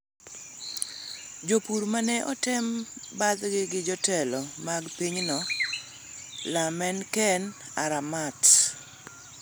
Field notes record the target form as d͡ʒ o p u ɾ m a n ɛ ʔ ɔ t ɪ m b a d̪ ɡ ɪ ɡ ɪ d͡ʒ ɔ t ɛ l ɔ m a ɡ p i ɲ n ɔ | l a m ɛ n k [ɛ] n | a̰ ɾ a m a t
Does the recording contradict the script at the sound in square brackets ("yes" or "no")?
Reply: no